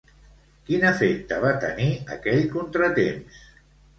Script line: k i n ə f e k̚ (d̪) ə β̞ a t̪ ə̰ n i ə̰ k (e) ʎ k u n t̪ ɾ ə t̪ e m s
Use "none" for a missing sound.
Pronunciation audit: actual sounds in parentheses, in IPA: t̪, ɛ

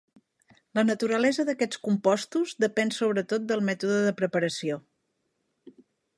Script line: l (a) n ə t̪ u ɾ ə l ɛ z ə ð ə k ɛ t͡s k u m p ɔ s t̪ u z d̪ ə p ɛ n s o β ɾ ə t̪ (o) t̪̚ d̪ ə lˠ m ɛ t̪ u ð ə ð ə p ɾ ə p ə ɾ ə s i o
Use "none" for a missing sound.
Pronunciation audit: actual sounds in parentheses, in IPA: ə, o

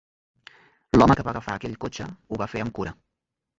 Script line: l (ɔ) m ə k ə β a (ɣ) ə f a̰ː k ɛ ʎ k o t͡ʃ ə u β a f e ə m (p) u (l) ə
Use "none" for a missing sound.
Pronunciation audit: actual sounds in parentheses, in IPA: ɔ, ɣ, k, ɾ

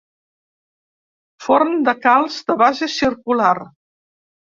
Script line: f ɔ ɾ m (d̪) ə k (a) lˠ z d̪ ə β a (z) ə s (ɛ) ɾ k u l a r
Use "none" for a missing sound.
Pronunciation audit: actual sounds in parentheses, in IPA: d̪, a, z, i

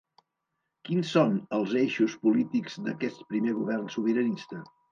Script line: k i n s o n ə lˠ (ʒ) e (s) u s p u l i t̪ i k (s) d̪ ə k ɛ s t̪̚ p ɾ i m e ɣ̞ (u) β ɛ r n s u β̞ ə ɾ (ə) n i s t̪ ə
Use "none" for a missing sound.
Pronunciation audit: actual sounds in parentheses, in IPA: z, ʃ, z, u, ə

